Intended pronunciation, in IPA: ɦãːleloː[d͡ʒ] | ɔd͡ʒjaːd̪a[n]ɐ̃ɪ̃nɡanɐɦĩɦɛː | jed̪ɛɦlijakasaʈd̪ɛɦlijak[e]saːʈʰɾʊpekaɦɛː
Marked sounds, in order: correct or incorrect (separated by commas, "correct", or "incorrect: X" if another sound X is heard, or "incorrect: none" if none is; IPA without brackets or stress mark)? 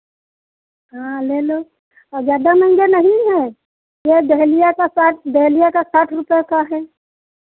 incorrect: none, incorrect: m, incorrect: a